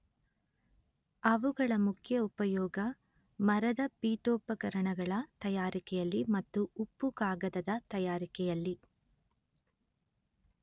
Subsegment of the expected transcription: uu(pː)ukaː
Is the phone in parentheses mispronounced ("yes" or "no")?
no